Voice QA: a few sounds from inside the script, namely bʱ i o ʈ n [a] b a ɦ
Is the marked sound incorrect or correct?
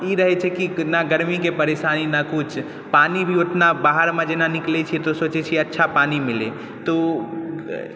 correct